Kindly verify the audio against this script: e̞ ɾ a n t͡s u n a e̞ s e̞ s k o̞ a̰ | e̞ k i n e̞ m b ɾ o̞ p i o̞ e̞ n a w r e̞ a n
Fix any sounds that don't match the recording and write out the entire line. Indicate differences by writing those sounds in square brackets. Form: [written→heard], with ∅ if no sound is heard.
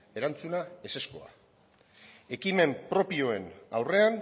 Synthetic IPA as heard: e̞ ɾ a n t͡s u n a e̞ s e̞ s k o̞ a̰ | e̞ k i [n→m] e̞ m [b→p] ɾ o̞ p i o̞ e̞ n a w r e̞ a n